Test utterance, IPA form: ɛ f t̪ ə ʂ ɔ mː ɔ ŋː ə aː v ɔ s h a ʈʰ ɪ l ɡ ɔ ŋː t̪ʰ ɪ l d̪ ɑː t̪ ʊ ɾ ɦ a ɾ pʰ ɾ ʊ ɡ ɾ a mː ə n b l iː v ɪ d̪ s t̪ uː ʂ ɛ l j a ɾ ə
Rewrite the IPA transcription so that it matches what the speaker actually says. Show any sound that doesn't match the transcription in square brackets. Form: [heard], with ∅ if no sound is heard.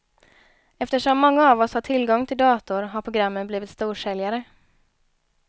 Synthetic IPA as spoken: ɛ f t̪ ə ʂ ɔ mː ɔ ŋː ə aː v ɔ s h a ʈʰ ɪ l ɡ ɔ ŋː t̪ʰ ɪ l d̪ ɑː t̪ ʊ ɾ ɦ a ɾ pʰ ɾ ʊ ɡ ɾ a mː ə n b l iː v ɪ [t̪] s t̪ uː ʂ ɛ l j a ɾ ə